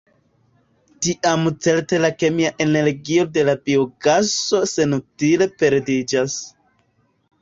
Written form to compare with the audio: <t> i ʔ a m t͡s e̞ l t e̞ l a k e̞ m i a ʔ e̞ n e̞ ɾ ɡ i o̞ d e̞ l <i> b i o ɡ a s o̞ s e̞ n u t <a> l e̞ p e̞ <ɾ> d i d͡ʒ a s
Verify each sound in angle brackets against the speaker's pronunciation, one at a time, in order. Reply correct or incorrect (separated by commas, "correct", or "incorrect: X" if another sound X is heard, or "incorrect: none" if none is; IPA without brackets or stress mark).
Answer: correct, incorrect: a, incorrect: i, correct